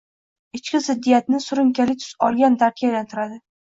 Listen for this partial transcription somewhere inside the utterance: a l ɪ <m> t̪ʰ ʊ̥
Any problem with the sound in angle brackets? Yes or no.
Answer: yes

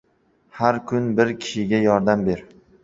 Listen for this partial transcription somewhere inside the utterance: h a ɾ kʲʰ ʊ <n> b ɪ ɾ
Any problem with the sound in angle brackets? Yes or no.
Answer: no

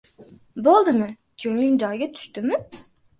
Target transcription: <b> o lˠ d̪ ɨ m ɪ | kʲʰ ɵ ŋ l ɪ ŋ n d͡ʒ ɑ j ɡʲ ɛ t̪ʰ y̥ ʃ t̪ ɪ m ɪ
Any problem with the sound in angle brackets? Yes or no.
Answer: no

